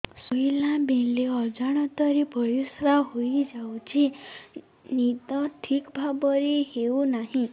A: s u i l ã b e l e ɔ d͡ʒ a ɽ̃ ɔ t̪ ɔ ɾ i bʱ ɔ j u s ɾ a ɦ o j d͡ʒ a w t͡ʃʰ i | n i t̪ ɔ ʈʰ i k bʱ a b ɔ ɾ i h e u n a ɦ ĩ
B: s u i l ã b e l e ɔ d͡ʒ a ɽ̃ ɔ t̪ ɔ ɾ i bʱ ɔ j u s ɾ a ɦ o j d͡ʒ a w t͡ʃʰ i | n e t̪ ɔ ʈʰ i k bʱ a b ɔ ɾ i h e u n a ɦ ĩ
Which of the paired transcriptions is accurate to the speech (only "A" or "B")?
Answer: A